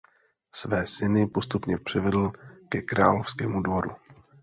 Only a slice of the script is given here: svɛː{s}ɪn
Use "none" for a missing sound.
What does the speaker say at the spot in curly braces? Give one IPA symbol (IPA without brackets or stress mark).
s